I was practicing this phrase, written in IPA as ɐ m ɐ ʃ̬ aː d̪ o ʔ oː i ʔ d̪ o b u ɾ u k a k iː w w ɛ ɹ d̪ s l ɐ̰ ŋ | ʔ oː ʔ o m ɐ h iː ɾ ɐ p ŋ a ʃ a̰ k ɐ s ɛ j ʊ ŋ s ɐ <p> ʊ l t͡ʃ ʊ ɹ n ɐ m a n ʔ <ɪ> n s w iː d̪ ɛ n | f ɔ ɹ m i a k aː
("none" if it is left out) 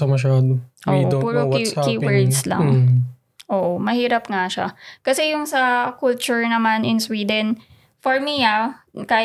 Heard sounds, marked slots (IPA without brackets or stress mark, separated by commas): k, ɪ